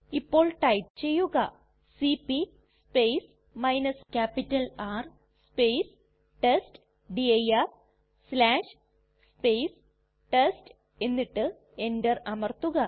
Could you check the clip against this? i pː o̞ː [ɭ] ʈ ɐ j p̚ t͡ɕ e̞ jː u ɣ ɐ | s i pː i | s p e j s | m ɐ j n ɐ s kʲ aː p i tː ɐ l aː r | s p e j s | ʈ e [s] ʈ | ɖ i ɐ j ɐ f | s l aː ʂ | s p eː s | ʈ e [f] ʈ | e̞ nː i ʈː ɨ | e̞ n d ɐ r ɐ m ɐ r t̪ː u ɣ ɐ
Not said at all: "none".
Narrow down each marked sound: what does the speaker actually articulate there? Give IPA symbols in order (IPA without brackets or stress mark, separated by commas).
ɭ, s, s